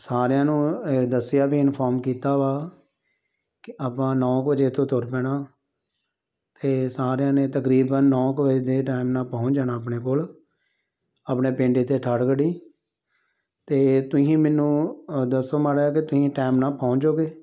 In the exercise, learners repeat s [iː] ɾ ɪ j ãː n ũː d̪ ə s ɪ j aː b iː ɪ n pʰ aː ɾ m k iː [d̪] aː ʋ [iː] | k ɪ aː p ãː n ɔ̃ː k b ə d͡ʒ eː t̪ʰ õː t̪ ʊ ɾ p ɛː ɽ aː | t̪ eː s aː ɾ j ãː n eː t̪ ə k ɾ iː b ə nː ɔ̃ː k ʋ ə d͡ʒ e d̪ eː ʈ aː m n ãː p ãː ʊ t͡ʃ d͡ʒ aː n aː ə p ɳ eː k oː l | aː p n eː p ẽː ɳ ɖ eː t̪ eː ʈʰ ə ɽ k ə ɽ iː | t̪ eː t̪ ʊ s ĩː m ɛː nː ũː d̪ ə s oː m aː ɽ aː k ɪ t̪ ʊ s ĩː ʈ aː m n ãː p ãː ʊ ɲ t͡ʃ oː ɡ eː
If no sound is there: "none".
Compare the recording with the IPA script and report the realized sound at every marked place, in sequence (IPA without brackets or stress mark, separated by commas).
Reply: aː, t̪, aː